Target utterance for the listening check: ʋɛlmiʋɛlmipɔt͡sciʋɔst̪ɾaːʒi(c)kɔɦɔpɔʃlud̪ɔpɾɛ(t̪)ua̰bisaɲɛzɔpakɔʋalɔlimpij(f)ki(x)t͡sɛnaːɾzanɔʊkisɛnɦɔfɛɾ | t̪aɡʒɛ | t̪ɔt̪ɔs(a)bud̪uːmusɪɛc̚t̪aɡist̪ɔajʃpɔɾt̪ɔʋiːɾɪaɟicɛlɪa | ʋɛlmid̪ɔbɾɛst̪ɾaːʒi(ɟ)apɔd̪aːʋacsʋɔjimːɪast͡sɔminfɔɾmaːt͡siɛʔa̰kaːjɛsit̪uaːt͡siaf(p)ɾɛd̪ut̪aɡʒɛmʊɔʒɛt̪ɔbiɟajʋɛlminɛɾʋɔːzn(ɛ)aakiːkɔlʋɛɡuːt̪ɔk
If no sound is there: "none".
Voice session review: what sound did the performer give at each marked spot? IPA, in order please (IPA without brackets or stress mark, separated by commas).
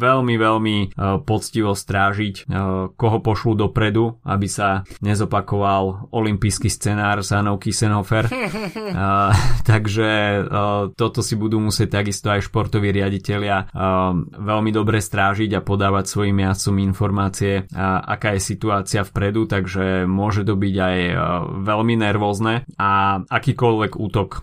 c, d̪, s, s, i, ɟ, p, ɛ